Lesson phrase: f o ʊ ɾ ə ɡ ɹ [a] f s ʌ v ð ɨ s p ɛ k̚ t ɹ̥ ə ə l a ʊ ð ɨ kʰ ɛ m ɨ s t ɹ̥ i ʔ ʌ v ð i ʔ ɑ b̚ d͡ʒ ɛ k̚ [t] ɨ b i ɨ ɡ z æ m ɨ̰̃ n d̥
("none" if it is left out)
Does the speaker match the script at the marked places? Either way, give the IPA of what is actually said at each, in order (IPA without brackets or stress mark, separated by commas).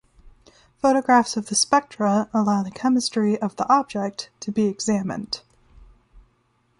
æ, tʰ